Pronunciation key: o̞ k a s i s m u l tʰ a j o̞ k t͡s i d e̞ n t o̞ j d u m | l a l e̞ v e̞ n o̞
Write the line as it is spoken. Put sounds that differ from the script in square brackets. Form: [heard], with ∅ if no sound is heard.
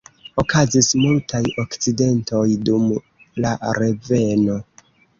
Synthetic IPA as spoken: o̞ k a [z] i s m u l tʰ a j o̞ k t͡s i d e̞ n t o̞ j d u m | l a [ɾ] e̞ v e̞ n o̞